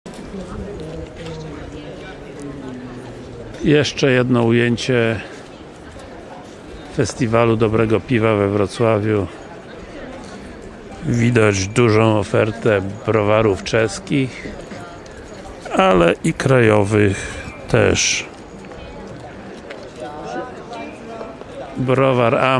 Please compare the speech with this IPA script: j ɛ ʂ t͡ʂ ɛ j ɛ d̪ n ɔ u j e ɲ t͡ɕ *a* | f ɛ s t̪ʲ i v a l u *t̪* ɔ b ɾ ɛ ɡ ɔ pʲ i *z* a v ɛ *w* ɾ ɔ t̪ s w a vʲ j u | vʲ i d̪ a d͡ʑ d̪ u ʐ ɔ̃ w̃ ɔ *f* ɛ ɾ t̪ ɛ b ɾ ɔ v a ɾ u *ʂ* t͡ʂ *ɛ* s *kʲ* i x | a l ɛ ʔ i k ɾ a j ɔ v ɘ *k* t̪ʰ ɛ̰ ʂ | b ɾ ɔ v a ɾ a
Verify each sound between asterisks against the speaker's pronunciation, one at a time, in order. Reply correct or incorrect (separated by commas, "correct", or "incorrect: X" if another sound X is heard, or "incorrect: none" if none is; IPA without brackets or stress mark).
incorrect: ɛ, incorrect: d̪, incorrect: v, incorrect: v, correct, incorrect: f, correct, correct, incorrect: x